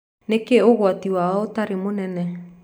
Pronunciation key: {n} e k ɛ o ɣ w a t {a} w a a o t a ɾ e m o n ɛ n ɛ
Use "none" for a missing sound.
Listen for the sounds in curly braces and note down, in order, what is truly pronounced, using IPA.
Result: n, i

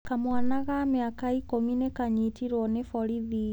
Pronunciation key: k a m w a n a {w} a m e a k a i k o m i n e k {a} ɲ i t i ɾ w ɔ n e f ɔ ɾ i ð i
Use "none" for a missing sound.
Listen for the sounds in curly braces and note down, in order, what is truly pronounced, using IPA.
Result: ɣ, a

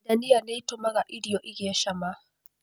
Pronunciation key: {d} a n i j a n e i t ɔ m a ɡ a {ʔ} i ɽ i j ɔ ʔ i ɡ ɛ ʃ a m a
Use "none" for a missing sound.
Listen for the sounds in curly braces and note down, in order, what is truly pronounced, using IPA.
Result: d, ʔ

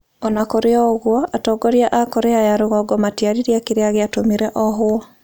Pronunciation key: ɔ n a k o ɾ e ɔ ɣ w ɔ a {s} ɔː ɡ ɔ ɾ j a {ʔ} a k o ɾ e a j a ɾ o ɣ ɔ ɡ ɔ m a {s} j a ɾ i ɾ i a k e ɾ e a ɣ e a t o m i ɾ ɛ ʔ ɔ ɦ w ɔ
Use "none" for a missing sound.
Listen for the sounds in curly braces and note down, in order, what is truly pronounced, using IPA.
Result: t, ʔ, t

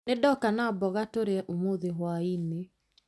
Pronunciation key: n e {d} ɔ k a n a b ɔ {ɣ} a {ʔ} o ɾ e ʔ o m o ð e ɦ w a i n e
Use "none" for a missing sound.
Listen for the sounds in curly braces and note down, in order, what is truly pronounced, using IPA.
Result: d, ɣ, t

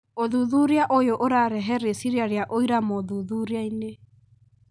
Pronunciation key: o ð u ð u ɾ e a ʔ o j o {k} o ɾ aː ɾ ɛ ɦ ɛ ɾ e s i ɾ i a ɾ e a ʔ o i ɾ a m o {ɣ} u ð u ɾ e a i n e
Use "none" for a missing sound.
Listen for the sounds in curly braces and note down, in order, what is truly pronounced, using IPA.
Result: ʔ, ð

